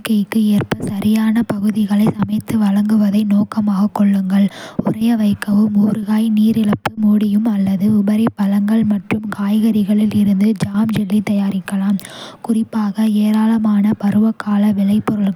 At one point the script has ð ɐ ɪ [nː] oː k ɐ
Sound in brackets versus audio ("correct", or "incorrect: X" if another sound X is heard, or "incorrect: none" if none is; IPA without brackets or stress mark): incorrect: n